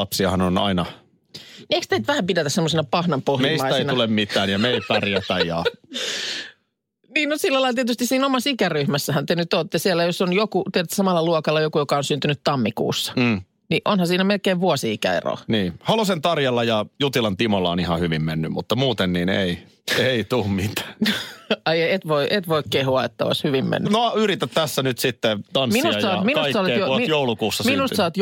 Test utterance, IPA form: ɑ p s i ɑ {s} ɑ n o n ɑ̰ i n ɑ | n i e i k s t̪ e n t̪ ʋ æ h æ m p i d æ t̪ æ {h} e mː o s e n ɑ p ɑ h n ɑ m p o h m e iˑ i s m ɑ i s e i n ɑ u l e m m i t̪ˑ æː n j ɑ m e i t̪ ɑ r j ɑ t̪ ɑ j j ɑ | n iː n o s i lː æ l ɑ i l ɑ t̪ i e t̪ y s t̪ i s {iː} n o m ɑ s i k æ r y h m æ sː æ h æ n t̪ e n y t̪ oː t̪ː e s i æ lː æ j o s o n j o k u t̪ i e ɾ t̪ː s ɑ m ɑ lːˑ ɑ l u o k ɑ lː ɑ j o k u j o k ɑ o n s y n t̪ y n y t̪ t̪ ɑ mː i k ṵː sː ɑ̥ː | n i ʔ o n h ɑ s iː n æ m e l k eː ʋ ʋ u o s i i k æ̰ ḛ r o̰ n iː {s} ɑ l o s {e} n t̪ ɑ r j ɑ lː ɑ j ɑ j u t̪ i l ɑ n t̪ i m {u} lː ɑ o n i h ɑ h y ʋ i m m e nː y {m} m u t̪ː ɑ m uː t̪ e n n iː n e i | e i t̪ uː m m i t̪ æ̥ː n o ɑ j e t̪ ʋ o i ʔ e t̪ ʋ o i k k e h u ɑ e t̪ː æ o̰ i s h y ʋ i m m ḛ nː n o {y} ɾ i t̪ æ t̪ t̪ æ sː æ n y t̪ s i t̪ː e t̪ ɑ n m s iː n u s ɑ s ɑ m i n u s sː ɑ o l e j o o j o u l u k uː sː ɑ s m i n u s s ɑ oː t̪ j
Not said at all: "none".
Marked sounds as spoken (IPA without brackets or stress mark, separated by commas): h, s, iː, h, e, o, m, y